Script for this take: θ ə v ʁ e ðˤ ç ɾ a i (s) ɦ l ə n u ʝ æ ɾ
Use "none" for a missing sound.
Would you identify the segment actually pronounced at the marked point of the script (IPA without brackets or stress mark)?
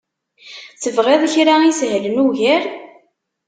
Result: s